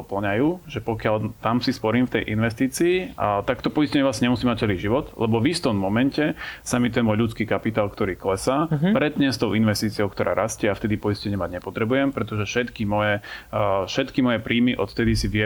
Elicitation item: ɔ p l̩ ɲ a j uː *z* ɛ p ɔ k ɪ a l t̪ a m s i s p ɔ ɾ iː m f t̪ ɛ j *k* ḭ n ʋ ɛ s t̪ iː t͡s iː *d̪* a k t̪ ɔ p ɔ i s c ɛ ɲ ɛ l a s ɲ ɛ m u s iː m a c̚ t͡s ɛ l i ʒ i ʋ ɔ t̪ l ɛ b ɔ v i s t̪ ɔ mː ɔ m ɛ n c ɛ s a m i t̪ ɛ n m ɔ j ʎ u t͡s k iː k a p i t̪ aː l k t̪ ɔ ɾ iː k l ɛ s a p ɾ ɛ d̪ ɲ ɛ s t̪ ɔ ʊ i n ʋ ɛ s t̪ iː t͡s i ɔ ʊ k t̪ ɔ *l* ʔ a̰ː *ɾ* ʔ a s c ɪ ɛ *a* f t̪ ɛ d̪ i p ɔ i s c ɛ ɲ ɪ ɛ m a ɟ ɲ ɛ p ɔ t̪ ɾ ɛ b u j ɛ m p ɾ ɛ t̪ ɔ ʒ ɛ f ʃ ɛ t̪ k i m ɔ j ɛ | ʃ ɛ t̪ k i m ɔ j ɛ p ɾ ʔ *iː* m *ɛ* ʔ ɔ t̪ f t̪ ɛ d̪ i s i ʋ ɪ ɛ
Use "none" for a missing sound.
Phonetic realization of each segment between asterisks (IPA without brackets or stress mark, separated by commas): ʒ, ʔ, t̪, ɾ, ɾ, a, iː, i